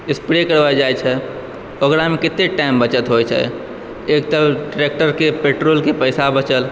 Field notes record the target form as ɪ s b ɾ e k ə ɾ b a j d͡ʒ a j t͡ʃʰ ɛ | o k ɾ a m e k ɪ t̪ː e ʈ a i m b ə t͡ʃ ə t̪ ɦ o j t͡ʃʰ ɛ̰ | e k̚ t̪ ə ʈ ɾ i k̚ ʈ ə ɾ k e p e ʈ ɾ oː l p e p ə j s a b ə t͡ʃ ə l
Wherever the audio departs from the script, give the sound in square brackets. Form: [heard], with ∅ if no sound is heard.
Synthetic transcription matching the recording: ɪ s [p] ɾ e k ə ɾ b a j d͡ʒ a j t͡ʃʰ ɛ | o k ɾ a m e k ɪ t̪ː e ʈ a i m b ə t͡ʃ ə t̪ ɦ o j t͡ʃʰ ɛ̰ | e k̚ t̪ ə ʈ ɾ [e] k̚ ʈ ə ɾ k e p e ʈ ɾ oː l [k] e p ə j s a b ə t͡ʃ ə l